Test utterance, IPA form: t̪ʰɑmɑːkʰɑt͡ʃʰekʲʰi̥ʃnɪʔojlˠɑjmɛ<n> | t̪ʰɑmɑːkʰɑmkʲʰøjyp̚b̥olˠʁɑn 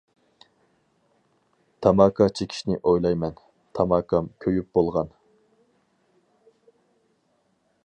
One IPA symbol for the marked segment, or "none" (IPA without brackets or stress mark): n